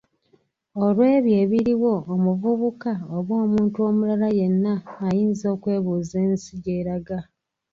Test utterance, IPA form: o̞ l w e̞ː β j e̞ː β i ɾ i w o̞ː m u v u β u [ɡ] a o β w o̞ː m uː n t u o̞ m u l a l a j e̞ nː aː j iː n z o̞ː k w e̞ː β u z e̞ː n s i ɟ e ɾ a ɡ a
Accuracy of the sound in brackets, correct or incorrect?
incorrect: k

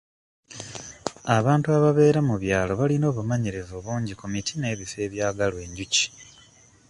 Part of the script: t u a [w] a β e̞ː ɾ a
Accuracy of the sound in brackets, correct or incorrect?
incorrect: β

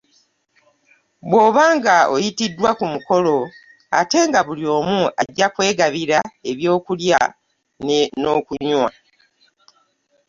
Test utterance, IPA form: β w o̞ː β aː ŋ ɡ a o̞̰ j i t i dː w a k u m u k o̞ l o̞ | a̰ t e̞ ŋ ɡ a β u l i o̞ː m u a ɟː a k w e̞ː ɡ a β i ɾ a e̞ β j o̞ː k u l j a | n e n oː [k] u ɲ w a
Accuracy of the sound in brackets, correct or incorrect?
correct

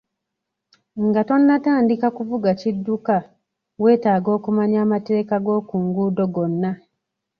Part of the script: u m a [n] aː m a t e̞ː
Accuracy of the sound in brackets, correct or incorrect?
incorrect: ɲ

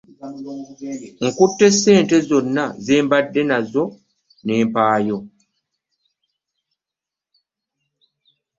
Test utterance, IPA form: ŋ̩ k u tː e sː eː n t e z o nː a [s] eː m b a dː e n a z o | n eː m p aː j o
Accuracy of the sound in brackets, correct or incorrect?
incorrect: z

